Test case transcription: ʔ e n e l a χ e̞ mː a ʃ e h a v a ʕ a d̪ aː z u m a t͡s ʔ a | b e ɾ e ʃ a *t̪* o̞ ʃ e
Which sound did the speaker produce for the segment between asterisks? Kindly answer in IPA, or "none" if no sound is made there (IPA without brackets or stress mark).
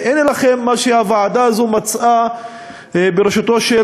t̪